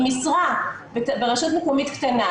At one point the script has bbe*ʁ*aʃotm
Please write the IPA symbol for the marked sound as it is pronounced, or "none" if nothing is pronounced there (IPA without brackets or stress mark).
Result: ʁ